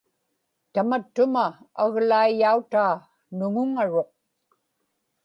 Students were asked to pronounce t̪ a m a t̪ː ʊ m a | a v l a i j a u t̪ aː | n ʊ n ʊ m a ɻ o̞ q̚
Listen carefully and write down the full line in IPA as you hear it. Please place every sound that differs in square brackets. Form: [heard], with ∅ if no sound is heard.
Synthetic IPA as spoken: t̪ a m a t̪ː ʊ m a | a [ɣ] l a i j a u t̪ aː | n ʊ [ŋ] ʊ [ŋ] a ɻ o̞ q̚